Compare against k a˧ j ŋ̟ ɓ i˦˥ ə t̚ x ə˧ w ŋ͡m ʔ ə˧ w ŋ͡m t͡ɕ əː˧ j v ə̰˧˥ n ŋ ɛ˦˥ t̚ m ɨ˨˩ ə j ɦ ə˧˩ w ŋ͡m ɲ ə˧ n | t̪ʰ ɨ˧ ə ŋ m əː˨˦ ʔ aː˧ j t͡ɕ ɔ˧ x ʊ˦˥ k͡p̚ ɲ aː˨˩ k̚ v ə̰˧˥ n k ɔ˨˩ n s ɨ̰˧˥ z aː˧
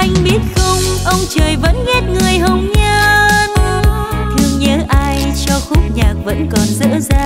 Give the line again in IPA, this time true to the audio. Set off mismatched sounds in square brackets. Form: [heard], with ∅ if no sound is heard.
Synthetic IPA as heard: [ʔ] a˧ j ŋ̟ ɓ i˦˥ ə t̚ x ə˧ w ŋ͡m ʔ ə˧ w ŋ͡m t͡ɕ [əː˨˩] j v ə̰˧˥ n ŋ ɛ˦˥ t̚ [ŋ] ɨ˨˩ ə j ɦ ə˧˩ w ŋ͡m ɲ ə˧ n | t̪ʰ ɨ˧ ə ŋ [ɲ] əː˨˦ ʔ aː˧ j t͡ɕ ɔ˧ x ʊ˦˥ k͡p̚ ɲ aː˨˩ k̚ v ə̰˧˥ n k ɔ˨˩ n [z] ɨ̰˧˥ z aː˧

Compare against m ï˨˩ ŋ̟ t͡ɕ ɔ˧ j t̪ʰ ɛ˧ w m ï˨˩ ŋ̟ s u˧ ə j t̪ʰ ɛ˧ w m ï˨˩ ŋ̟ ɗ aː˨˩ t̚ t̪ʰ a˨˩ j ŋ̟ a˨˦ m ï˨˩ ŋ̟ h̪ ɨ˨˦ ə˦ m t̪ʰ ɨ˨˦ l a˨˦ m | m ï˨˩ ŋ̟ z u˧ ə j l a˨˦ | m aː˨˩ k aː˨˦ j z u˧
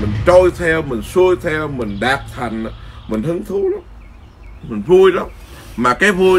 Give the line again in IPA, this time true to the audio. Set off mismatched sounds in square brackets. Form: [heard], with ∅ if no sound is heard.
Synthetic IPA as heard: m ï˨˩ ŋ̟ t͡ɕ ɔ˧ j t̪ʰ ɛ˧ w m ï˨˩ ŋ̟ s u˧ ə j t̪ʰ ɛ˧ w m ï˨˩ ŋ̟ ɗ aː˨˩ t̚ t̪ʰ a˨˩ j ŋ̟ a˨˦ m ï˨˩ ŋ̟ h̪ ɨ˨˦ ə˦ [ŋ] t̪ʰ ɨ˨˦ l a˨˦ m | m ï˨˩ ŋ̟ [v] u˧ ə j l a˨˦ | m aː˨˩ k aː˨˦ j [v] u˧

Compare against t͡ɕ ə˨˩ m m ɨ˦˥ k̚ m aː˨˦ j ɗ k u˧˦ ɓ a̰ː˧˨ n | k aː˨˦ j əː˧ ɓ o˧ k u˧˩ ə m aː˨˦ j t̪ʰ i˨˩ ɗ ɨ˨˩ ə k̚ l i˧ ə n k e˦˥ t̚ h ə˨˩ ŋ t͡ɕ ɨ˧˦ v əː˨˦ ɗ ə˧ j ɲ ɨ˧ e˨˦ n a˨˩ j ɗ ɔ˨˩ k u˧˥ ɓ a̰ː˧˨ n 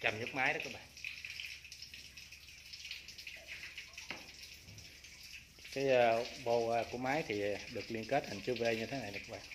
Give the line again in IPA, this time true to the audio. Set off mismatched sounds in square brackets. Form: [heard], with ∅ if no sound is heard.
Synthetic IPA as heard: t͡ɕ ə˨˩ m [ɲ] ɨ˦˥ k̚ m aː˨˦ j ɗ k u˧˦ ɓ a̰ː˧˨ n | k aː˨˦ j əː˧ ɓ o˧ k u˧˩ ə m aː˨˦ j t̪ʰ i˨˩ ɗ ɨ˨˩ ə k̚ l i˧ ə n k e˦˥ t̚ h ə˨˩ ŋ t͡ɕ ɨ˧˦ v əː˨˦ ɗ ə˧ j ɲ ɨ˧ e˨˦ n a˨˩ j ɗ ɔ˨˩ k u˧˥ ɓ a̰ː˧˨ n

